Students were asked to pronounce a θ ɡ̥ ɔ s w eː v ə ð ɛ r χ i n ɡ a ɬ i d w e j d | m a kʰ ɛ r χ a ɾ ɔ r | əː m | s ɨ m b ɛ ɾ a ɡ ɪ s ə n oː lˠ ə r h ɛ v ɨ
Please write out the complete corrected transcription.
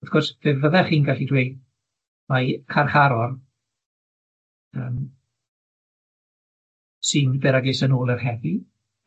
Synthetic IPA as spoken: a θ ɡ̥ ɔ s v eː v ə ð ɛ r χ iː n ɡ a ɬ i d w e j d | m a kʰ a r χ a ɾ ɔ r | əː m | s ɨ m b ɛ ɾ a ɡ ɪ s ə n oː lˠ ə r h ɛ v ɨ